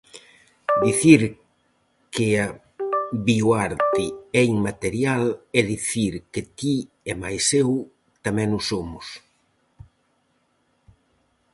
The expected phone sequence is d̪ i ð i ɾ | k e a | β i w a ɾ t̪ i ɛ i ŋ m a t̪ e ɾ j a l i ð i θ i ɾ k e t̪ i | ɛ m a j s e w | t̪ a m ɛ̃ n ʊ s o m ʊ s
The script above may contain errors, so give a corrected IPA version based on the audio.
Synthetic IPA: d̪ i θ i ɾ | k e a | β i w a ɾ t̪ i ɛ i ŋ m a t̪ e ɾ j a l ɛ ð i θ i ɾ k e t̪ i | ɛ m a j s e w | t̪ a m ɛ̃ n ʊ s o m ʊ s